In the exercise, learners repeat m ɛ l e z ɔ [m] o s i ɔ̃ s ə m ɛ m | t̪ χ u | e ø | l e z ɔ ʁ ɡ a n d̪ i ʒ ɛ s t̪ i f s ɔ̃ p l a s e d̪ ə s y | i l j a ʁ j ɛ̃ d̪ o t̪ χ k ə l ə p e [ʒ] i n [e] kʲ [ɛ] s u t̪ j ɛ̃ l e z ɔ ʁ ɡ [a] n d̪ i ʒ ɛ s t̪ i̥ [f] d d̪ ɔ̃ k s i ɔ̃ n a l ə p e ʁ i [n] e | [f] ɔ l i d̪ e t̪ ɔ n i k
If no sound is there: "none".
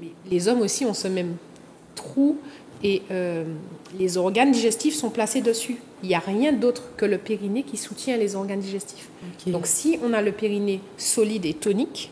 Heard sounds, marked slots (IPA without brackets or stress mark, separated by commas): m, ʁ, e, i, a, f, n, s